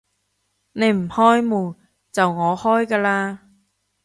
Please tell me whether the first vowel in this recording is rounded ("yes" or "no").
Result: no